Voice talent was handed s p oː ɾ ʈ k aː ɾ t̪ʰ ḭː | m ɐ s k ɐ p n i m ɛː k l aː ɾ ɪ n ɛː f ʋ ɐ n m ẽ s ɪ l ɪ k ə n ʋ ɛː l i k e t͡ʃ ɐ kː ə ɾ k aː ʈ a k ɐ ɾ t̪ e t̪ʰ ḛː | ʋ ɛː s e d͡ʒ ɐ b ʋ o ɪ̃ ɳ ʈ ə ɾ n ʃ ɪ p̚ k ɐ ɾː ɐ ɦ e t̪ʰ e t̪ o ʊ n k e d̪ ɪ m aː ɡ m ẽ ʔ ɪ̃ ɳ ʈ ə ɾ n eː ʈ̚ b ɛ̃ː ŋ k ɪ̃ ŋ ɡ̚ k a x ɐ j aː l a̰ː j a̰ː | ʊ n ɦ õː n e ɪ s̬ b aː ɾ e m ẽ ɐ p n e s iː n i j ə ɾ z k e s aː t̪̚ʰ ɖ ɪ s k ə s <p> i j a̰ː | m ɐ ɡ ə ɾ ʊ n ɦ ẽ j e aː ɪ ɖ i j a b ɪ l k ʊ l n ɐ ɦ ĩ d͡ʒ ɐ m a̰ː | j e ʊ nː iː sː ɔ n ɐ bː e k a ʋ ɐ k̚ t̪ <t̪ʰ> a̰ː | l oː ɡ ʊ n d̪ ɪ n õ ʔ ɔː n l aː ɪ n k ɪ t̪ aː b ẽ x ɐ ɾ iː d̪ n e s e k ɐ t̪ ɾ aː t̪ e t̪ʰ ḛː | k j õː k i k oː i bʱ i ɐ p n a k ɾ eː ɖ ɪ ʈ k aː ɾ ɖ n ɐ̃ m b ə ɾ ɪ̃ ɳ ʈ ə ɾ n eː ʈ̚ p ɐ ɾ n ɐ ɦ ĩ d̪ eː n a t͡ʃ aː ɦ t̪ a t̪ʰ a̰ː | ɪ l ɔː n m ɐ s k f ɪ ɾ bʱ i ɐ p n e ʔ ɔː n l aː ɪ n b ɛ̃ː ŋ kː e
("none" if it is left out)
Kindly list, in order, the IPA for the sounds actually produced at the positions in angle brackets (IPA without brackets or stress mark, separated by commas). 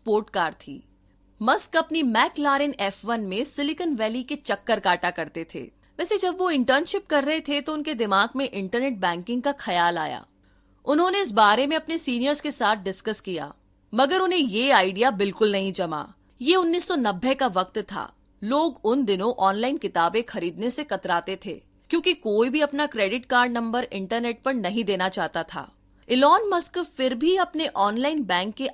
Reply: k, t̪ʰ